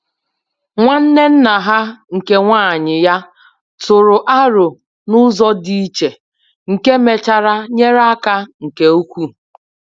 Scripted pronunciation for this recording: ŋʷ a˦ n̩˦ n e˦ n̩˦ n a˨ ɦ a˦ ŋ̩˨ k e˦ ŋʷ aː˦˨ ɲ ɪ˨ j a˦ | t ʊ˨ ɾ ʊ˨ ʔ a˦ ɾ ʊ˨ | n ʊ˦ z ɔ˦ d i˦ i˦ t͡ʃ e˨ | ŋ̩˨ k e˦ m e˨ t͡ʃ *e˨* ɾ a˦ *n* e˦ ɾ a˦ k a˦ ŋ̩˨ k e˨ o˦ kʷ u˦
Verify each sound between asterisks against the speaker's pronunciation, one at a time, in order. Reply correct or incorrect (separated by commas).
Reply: incorrect, incorrect